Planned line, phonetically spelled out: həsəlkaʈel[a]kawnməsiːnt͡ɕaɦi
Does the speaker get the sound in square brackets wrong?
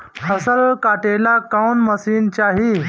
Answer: no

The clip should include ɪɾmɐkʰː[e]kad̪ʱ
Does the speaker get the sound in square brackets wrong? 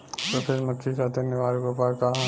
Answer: yes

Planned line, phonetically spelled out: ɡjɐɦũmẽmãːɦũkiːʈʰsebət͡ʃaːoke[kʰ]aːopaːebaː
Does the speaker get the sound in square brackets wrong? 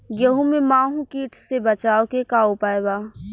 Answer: yes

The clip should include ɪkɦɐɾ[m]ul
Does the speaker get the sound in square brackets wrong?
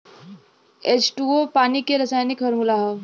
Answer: no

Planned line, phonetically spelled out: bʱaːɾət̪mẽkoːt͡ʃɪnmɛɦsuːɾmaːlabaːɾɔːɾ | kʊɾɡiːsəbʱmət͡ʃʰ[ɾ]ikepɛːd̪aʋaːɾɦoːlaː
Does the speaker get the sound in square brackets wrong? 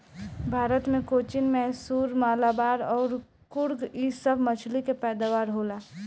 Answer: yes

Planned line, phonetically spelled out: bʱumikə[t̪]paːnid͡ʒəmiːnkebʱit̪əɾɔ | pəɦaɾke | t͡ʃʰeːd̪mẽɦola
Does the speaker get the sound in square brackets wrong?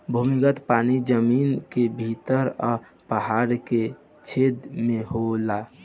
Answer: no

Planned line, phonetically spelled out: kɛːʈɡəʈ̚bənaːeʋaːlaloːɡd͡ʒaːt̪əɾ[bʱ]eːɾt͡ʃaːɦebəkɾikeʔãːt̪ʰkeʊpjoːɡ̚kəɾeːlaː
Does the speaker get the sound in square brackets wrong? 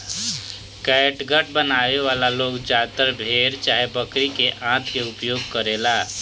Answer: no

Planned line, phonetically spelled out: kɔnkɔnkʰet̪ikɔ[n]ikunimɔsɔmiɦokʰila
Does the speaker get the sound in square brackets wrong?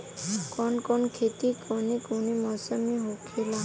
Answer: no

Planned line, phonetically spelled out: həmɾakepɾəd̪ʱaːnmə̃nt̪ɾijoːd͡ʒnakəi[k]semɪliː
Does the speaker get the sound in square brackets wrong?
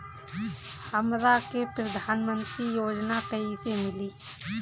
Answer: yes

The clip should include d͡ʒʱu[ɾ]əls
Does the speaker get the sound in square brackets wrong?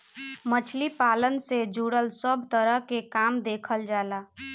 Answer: yes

